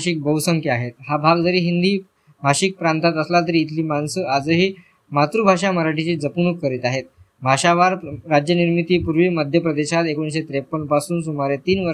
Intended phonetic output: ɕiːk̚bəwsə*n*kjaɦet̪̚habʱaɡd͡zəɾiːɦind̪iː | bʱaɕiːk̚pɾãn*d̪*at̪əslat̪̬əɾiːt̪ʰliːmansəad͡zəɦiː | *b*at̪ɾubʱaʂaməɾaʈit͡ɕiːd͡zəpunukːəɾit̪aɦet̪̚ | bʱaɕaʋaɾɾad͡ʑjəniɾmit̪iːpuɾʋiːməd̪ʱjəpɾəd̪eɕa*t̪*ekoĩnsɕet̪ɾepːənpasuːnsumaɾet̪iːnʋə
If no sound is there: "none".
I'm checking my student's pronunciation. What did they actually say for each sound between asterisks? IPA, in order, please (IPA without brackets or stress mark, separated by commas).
ŋ, t̪, m, t̪